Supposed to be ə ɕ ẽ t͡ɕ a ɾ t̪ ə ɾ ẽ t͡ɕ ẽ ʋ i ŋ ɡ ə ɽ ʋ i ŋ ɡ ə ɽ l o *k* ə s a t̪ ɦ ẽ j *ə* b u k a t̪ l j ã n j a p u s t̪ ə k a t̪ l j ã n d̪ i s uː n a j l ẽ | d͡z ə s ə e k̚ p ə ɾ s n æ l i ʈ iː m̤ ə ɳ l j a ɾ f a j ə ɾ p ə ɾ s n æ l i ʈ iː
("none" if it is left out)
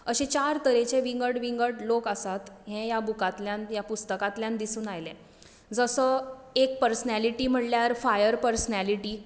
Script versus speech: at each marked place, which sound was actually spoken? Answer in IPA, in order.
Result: k, a

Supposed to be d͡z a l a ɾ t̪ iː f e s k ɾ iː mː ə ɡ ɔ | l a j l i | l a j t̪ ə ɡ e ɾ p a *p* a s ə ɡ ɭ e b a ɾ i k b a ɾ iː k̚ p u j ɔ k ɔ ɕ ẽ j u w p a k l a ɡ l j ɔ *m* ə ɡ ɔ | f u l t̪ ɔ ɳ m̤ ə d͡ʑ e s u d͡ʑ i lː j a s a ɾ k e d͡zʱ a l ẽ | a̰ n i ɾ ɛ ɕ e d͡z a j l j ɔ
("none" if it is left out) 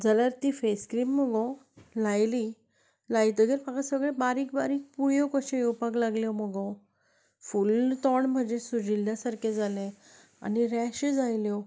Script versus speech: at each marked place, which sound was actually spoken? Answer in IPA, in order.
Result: k, m

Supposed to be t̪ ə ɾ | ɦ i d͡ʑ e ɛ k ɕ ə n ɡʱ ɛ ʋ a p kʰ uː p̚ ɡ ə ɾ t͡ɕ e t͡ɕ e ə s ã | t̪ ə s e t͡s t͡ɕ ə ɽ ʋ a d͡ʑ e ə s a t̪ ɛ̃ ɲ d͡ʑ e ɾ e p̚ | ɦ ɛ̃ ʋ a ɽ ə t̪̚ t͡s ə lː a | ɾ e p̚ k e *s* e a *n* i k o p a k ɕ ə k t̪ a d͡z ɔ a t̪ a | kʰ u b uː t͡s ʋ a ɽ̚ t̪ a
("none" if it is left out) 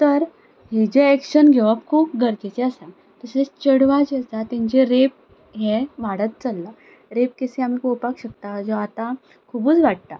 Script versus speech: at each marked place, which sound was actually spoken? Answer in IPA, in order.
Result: s, m

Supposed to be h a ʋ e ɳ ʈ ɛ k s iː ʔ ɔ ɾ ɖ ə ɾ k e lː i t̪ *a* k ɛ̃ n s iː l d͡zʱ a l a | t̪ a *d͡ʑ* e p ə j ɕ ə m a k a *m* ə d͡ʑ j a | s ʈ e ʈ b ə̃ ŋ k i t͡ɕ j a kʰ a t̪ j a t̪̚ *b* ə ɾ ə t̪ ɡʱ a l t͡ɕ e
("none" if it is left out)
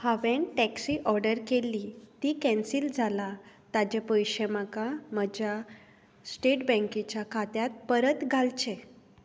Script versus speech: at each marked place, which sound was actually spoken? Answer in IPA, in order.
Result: i, d͡ʑ, m, p

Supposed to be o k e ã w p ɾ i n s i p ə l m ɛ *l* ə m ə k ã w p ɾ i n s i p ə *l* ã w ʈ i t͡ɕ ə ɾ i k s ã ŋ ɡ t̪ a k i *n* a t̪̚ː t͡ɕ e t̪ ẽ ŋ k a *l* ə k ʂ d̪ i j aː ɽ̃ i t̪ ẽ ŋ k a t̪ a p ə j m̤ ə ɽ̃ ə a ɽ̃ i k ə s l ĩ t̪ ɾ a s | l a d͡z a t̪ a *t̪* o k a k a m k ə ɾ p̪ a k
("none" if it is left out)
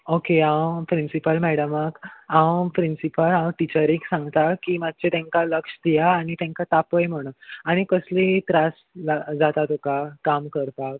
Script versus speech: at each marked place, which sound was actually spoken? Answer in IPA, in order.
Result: ɽ, l, m, l, t̪

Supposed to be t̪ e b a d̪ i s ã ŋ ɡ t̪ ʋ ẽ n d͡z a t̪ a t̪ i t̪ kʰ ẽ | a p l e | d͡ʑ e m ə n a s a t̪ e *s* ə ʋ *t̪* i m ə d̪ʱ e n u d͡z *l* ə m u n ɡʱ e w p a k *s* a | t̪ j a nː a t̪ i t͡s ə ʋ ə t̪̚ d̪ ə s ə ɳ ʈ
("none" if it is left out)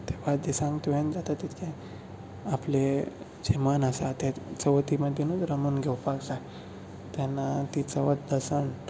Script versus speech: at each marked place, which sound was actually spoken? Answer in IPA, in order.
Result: t͡s, t̪, ɾ, s

